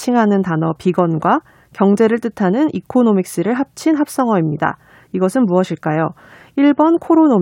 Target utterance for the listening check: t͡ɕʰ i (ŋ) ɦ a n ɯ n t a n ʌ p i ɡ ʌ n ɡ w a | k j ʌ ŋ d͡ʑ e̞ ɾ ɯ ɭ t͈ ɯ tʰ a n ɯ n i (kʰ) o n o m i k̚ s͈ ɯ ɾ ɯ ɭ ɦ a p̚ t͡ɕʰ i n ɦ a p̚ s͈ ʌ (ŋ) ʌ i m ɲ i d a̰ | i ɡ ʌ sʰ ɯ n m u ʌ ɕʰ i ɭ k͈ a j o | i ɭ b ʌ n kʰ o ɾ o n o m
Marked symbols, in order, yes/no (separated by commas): yes, yes, yes